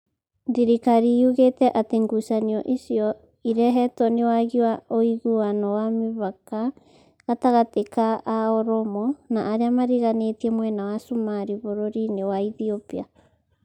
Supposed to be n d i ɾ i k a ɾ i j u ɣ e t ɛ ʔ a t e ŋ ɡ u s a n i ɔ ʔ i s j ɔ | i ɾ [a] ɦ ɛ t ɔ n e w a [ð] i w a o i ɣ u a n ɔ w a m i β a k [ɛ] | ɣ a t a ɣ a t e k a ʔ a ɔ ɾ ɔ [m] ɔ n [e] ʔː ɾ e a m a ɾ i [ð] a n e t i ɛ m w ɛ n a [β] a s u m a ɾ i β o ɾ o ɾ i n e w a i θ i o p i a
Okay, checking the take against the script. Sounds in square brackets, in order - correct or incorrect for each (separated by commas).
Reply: incorrect, incorrect, incorrect, correct, incorrect, incorrect, incorrect